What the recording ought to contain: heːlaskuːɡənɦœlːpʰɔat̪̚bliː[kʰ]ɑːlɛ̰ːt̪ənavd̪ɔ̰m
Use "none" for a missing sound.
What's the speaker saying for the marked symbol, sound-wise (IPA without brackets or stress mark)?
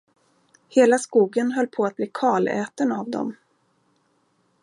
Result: kʰ